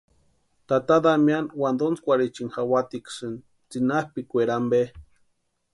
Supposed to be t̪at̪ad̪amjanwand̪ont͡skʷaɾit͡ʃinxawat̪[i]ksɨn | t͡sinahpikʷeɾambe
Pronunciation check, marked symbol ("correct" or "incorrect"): correct